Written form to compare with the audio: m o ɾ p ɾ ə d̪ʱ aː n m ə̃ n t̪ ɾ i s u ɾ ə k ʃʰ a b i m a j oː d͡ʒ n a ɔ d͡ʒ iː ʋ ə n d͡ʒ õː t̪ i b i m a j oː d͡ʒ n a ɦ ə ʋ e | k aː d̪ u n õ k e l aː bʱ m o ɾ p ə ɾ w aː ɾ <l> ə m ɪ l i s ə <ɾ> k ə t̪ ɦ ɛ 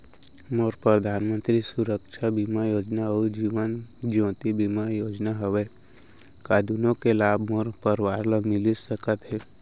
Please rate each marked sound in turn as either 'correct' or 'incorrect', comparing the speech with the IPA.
correct, incorrect: none

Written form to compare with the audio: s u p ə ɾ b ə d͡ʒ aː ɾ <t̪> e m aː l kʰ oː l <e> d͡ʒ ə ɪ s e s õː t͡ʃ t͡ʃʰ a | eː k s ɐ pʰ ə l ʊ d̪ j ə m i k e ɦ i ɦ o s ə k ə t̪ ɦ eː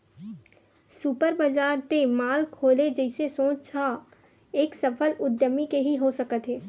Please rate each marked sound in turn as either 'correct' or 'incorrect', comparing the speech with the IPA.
correct, correct

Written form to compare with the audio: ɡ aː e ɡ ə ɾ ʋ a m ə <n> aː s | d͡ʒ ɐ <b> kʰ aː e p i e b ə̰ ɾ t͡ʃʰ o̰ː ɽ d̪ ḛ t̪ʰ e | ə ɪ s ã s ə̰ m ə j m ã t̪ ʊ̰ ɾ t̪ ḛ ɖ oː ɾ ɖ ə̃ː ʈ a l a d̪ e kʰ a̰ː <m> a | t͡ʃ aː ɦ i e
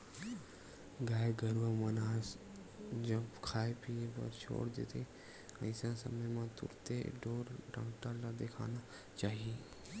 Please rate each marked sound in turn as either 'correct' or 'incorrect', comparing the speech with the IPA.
correct, correct, incorrect: n

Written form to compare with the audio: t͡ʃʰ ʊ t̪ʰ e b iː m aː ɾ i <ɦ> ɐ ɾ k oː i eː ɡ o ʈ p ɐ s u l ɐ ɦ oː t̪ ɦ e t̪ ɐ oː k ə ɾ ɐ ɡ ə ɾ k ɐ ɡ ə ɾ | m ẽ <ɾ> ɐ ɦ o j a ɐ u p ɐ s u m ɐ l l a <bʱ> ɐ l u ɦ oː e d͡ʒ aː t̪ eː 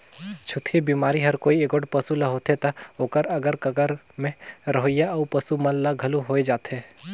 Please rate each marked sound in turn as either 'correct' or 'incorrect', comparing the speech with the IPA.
correct, correct, incorrect: ɡʱ

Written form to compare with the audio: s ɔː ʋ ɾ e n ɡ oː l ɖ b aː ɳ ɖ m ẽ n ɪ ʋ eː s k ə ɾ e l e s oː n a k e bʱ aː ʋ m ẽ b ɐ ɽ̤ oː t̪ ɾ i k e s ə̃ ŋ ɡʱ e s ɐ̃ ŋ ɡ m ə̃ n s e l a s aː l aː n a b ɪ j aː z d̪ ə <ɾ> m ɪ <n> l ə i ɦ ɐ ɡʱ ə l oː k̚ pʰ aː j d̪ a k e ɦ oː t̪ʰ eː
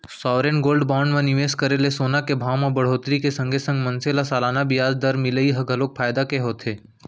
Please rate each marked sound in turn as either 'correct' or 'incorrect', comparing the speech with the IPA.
correct, incorrect: none

